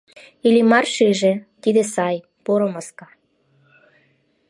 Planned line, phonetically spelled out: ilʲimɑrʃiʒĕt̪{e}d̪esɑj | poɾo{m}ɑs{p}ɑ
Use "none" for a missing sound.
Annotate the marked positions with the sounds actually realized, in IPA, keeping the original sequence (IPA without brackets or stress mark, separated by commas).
i, m, k